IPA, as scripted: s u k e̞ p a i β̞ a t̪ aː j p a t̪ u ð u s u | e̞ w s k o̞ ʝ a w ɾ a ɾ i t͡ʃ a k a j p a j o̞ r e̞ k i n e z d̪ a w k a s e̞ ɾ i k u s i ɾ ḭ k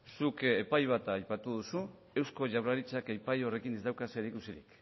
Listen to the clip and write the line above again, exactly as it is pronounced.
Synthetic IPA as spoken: s u k e̞ p a j β̞ a t̪ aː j p a t̪ u ð u s u | e̞ w s k o̞ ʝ a w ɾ a ɾ i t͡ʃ a k a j p a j o̞ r e̞ k i n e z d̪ a w k a s e̞ ɾ i k u s i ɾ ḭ k